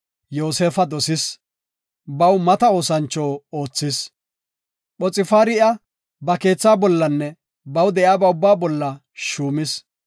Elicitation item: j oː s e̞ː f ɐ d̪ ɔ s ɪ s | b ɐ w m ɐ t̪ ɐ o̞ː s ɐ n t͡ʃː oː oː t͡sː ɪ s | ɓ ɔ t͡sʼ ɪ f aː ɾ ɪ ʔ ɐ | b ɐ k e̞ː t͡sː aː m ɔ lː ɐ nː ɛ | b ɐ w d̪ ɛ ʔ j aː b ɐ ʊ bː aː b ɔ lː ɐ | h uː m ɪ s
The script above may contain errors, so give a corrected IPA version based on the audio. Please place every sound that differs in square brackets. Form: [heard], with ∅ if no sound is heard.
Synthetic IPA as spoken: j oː s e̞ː f ɐ d̪ ɔ s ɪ s | b ɐ w m ɐ t̪ ɐ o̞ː s ɐ n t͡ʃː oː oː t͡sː ɪ s | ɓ ɔ t͡sʼ ɪ f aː ɾ ɪ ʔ ɐ | b ɐ k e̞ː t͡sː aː [b] ɔ lː ɐ nː ɛ | b ɐ w d̪ ɛ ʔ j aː b ɐ ʊ bː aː b ɔ lː ɐ | [ʃ] uː m ɪ s

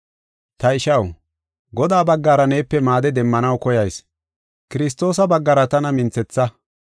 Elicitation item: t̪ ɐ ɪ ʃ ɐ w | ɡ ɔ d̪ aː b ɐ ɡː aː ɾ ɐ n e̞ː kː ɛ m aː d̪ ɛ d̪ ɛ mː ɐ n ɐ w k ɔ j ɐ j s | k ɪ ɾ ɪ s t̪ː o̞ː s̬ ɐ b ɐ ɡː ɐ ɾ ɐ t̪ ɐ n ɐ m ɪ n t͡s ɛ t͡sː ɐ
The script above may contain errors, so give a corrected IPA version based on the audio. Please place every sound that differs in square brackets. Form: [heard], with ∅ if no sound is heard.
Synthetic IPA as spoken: t̪ ɐ ɪ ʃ ɐ w | ɡ ɔ d̪ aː b ɐ ɡː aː ɾ ɐ n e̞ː [pː] ɛ m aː d̪ ɛ d̪ ɛ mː ɐ n ɐ w k ɔ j ɐ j s | k ɪ ɾ ɪ s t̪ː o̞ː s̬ ɐ b ɐ ɡː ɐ ɾ ɐ t̪ ɐ n ɐ m ɪ n t͡s ɛ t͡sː ɐ

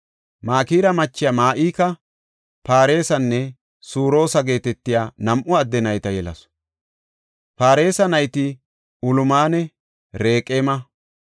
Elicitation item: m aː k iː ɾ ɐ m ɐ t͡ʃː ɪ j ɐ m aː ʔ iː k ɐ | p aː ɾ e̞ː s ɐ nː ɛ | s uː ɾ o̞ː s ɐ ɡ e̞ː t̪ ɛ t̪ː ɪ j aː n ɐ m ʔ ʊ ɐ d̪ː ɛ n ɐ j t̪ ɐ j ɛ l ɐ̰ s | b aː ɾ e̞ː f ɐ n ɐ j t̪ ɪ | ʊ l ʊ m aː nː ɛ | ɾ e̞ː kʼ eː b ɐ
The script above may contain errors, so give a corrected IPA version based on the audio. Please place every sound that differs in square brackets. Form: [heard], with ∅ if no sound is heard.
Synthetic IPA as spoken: m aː k iː ɾ ɐ m ɐ t͡ʃː ɪ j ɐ m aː ʔ iː k ɐ | p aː ɾ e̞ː s ɐ nː ɛ | s uː ɾ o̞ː s ɐ ɡ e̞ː t̪ ɛ t̪ː ɪ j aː n ɐ m ʔ ʊ ɐ d̪ː ɛ n ɐ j t̪ ɐ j ɛ l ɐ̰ s | [p] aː ɾ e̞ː [s] ɐ n ɐ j t̪ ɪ | ʊ l ʊ m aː [n] ɛ | ɾ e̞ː kʼ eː [m] ɐ

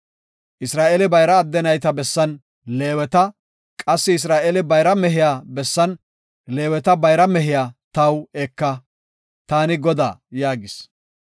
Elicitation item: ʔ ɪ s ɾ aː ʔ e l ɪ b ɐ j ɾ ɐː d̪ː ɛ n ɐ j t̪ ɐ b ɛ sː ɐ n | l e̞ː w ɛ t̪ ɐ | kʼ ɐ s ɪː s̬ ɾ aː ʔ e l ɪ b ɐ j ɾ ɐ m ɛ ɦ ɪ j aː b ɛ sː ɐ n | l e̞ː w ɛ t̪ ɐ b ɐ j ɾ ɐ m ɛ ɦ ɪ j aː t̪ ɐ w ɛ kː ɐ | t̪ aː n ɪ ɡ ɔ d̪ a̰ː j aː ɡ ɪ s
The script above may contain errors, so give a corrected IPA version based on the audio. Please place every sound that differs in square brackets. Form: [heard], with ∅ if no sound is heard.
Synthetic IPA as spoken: ʔ ɪ s ɾ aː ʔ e l ɪ b ɐ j ɾ ɐː d̪ː ɛ n ɐ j t̪ ɐ b ɛ sː ɐ n | l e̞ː w ɛ t̪ ɐ | kʼ ɐ [sː] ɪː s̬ ɾ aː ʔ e l ɪ b ɐ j ɾ ɐ m ɛ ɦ ɪ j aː b ɛ sː ɐ n | l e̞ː w ɛ t̪ ɐ b ɐ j ɾ ɐ m ɛ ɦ ɪ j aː t̪ ɐ w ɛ kː ɐ | t̪ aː n ɪ ɡ ɔ d̪ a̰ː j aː ɡ ɪ s

